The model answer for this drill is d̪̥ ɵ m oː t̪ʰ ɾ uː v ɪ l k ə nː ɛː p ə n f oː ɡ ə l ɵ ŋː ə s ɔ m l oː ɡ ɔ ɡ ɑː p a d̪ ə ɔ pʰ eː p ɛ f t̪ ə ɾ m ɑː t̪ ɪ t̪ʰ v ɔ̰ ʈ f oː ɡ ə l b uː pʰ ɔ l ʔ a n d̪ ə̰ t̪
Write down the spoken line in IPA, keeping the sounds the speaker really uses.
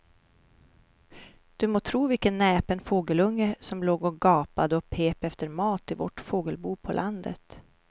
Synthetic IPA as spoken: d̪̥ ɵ m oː t̪ʰ ɾ uː v ɪ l k ə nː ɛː p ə n f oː ɡ ə l ɵ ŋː ə s ɔ m l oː ɡ ɔ ɡ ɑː p a d̪ ə ɔ pʰ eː p ɛ f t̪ ə ɾ m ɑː t̪ ɪ v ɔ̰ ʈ f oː ɡ ə l b uː pʰ ɔ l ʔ a n d̪ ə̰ t̪